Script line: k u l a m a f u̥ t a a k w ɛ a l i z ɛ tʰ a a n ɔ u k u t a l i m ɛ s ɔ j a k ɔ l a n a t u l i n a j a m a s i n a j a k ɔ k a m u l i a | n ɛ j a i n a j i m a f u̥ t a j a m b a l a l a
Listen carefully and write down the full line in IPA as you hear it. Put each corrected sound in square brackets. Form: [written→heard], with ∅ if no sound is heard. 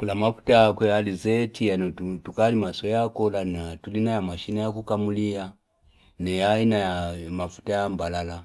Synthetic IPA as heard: k u l a m a f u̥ t a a k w ɛ a l i z ɛ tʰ [a→i] a n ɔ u [k→t] u [t→k] a l i m [ɛ→a] s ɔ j a k ɔ l a n a t u l i n a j a m a [s→ʃ] i n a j a k [ɔ→u] k a m u l i a | n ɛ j a i n a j [i→a] m a f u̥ t a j a m b a l a l a